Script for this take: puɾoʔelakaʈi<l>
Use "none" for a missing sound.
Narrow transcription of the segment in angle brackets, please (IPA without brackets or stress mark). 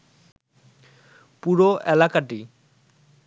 none